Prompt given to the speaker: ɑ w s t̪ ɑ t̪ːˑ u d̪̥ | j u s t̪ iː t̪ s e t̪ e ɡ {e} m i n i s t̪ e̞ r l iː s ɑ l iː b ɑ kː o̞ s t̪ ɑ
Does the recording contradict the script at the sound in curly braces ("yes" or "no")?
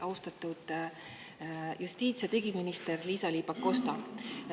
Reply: yes